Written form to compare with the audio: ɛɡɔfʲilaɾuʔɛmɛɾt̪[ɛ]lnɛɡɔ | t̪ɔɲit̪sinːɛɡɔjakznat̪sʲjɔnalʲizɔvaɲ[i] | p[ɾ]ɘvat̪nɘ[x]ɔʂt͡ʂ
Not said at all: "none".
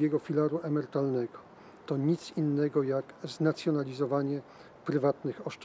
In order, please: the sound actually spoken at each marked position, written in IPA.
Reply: a, ɛ, ɾ, x

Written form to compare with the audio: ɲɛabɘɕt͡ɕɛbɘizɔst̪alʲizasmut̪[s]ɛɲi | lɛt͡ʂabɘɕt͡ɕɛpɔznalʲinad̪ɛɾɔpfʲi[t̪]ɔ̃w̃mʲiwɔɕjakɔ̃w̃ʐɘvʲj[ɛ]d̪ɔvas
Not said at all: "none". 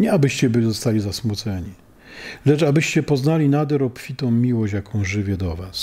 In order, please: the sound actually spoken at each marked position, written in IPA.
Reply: s, t̪, ɛ

